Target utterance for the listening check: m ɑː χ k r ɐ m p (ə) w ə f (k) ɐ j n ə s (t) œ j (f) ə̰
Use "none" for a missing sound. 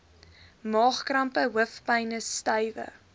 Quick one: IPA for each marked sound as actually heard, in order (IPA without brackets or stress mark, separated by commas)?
ə, p, t, v